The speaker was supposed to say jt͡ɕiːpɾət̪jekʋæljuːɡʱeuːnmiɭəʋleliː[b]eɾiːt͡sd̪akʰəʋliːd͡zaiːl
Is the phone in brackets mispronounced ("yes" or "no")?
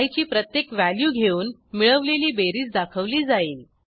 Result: no